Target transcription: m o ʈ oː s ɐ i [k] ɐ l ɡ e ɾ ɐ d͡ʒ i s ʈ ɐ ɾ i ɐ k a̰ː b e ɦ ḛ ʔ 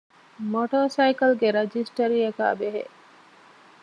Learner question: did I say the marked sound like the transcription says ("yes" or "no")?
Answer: yes